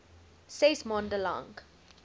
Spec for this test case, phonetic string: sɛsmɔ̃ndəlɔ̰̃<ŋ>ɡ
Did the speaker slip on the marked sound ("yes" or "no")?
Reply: no